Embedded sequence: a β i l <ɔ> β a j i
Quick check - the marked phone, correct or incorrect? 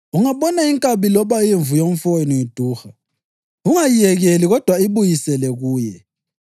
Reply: correct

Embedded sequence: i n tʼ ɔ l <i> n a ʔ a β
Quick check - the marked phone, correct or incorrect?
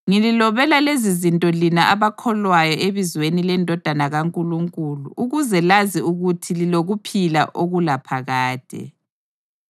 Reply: correct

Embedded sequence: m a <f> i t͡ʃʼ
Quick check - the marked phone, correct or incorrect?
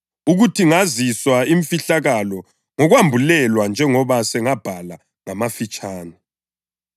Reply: correct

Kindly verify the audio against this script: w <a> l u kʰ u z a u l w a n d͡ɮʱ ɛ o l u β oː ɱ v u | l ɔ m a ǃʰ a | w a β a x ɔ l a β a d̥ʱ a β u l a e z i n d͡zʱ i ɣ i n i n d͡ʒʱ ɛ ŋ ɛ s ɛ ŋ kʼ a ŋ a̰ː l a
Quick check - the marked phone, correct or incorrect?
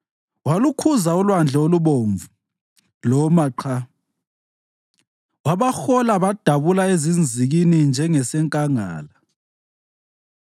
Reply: correct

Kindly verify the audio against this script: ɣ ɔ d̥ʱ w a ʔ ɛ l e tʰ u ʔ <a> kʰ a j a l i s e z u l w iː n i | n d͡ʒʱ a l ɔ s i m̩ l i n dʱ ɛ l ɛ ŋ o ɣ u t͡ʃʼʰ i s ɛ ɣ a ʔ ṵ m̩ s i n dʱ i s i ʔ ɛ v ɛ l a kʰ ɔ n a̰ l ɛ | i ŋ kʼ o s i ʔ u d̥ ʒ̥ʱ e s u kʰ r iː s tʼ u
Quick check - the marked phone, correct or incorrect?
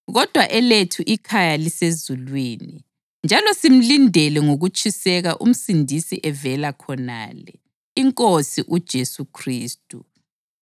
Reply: incorrect: i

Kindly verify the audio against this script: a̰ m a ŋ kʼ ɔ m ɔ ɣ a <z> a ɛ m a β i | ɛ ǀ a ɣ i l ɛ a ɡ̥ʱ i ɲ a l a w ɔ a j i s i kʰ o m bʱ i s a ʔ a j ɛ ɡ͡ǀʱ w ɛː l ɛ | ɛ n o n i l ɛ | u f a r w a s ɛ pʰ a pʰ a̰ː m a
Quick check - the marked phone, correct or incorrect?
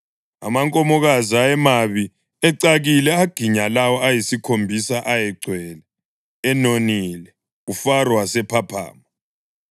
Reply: correct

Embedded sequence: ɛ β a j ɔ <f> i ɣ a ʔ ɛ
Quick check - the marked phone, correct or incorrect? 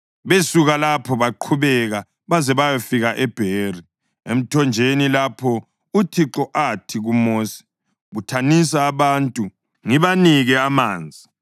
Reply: correct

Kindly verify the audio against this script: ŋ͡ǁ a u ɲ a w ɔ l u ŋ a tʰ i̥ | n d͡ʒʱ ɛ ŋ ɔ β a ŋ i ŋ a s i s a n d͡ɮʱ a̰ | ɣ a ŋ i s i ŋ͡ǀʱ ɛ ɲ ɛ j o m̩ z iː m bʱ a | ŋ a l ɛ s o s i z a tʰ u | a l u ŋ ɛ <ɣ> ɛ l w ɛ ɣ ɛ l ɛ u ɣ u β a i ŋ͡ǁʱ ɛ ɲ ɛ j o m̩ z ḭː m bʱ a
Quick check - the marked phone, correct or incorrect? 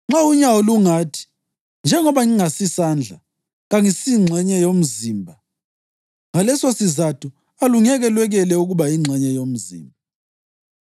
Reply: correct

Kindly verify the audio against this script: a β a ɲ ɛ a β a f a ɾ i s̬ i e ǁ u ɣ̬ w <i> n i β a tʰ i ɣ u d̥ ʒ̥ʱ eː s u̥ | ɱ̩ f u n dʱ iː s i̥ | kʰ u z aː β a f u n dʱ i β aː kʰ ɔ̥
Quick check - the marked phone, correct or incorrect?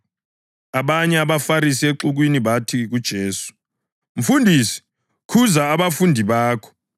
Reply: correct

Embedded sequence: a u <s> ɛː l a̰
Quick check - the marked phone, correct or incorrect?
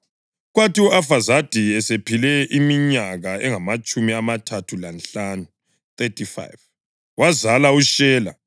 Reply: incorrect: ʃ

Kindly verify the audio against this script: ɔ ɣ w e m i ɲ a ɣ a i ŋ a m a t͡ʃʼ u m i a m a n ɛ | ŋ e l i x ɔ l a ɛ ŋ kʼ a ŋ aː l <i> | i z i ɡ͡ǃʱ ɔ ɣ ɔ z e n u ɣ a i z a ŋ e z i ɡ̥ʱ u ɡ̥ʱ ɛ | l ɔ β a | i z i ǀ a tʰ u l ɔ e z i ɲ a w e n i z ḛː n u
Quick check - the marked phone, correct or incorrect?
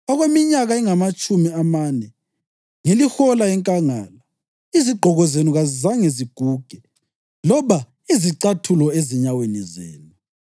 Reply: incorrect: a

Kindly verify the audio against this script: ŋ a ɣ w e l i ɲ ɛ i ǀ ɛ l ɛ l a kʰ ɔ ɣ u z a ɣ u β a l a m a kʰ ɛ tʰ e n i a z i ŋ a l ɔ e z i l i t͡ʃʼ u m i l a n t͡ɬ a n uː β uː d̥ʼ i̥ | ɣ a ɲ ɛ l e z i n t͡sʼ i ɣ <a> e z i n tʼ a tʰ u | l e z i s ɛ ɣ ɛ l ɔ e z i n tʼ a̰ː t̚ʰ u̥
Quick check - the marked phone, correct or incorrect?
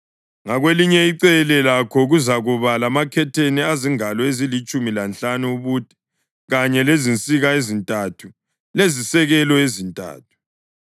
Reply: correct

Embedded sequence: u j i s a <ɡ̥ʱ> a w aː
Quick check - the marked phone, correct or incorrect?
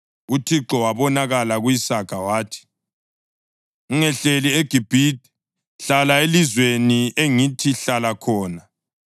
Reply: correct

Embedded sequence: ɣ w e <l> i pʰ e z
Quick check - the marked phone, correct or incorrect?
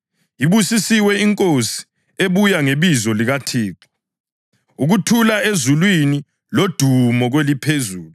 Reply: correct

